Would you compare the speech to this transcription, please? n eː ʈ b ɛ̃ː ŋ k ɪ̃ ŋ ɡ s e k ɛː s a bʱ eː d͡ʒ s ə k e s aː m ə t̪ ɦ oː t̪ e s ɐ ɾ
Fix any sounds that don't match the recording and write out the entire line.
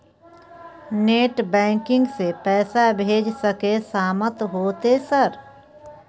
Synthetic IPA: n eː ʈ b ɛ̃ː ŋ k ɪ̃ ŋ ɡ s e p ɛː s a bʱ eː d͡ʒ s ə k e s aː m ə t̪ ɦ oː t̪ e s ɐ ɾ

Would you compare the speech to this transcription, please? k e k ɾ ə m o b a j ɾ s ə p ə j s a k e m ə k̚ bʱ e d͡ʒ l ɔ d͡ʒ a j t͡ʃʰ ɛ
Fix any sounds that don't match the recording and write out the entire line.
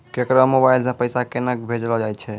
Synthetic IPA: k e k ɾ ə m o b a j l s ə p ə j s a k e n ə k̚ bʱ e d͡ʒ l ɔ d͡ʒ a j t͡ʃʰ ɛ

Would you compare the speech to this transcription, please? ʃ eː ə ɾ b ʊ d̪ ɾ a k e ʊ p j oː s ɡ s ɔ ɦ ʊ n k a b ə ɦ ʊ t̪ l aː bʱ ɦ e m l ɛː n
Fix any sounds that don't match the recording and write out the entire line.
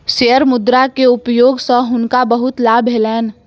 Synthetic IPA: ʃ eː ə ɾ m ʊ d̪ ɾ a k e ʊ p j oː ɡ s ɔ ɦ ʊ n k a b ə ɦ ʊ t̪ l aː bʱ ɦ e l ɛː n

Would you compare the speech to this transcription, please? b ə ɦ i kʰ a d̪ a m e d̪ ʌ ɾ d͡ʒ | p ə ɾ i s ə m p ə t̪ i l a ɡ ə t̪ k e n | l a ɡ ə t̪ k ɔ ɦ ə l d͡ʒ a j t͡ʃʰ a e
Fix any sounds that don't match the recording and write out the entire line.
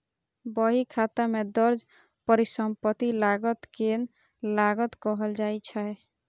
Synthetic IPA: b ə ɦ i kʰ a t̪ a m e d̪ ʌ ɾ d͡ʒ | p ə ɾ i s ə m p ə t̪ i l a ɡ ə t̪ k e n | l a ɡ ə t̪ k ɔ ɦ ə l d͡ʒ a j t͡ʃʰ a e

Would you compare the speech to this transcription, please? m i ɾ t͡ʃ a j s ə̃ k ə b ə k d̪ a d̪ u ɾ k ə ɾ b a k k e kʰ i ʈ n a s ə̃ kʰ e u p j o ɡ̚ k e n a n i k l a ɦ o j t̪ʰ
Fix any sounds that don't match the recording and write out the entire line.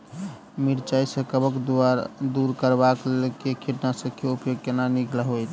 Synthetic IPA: m i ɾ t͡ʃ a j s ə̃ k ə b ə k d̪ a d̪ u ɾ k ə ɾ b a k k e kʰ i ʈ n a s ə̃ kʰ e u p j o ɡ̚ k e n a n i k l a ɦ o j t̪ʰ

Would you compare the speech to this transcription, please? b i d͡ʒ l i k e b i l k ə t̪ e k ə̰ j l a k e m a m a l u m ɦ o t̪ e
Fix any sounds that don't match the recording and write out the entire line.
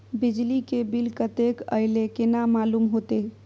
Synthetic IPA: b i d͡ʒ l i k e b i l k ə t̪ e k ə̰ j l e k e n a m a l u m ɦ o t̪ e

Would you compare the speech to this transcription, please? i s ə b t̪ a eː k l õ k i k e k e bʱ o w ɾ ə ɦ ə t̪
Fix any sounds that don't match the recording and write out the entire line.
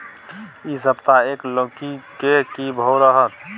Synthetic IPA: i s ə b t̪ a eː k l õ k i k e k i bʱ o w ɾ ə ɦ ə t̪

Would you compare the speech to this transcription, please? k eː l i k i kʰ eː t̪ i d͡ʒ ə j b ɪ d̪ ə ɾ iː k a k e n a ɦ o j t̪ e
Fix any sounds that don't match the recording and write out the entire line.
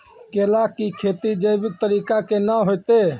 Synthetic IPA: k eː l a k i kʰ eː t̪ i d͡ʒ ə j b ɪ t̪ ə ɾ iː k a k e n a ɦ o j t̪ e

